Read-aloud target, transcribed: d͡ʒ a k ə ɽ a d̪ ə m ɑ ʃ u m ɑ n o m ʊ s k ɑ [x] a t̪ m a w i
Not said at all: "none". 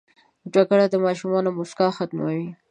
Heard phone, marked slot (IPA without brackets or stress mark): x